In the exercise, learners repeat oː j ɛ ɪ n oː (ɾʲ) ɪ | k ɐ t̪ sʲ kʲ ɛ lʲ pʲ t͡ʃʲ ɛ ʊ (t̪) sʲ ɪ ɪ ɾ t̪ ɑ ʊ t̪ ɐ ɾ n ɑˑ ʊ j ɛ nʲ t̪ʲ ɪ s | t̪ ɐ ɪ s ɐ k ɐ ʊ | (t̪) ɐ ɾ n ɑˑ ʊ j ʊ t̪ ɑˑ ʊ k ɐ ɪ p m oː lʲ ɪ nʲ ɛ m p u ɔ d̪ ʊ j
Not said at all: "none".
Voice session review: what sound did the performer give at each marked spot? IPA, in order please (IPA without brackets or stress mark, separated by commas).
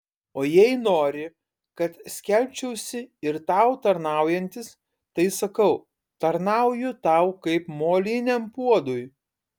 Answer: ɾʲ, none, t̪